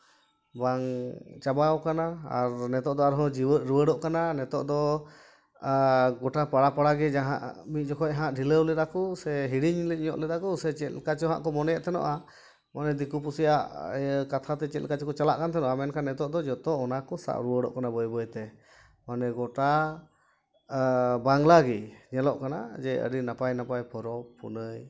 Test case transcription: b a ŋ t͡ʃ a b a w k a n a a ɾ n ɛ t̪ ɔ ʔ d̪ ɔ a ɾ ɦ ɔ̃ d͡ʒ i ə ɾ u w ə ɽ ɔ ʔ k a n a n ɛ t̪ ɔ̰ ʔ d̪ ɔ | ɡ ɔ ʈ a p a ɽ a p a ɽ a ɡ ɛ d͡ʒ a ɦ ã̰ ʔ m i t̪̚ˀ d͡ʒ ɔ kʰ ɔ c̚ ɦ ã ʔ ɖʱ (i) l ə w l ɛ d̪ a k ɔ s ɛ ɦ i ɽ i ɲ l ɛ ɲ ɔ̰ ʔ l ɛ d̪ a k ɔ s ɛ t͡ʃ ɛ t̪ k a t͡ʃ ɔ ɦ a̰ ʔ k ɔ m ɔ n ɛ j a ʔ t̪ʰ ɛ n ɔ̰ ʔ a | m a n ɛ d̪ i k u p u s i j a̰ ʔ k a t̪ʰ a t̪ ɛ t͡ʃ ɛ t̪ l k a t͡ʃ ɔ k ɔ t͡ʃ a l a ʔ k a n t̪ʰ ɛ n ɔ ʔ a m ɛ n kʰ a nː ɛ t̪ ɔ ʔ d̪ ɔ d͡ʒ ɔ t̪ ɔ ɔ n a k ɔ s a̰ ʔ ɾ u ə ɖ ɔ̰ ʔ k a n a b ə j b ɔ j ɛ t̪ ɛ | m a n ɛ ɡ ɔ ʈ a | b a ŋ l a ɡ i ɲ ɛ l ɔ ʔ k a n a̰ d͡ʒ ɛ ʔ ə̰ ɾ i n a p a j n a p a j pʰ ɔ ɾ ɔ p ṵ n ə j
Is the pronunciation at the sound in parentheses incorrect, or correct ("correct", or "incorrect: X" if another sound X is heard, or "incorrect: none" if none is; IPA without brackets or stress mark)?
correct